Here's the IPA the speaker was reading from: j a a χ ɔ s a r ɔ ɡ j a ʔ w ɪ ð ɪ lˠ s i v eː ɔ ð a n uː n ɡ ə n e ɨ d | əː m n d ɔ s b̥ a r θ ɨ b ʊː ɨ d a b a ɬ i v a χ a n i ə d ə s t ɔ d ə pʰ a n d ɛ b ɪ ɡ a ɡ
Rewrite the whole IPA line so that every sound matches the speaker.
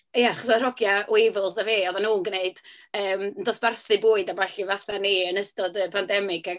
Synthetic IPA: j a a χ ɔ s a r ɔ ɡ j a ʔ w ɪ v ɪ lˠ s a v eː ɔ ð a n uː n ɡ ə n e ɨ d | əː m n d ɔ s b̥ a r θ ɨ b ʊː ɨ d a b a ɬ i v a θ a n i ə n ə s t ɔ d ə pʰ a n d ɛ m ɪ ɡ a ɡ